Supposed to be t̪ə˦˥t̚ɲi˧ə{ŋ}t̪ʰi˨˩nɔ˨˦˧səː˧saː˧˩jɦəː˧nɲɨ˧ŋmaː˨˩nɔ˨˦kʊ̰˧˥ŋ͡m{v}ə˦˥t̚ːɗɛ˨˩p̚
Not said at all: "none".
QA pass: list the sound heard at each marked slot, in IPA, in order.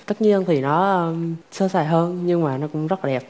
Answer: n, z

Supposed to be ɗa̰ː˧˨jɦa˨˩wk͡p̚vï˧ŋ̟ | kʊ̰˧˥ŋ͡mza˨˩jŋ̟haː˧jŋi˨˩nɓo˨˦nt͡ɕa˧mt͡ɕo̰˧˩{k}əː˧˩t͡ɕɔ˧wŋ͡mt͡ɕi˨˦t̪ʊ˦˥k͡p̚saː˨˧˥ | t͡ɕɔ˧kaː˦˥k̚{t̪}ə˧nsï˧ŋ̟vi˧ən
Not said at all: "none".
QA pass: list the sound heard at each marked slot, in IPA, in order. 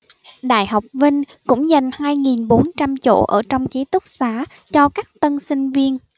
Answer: ʔ, t̪

